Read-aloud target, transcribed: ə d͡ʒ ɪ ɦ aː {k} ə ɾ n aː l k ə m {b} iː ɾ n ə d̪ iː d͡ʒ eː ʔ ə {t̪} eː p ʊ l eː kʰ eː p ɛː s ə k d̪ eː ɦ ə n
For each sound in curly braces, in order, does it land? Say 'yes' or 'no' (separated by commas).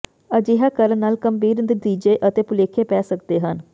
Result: yes, yes, yes